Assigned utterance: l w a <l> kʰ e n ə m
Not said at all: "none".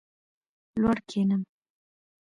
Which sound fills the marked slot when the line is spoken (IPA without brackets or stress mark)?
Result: ɽ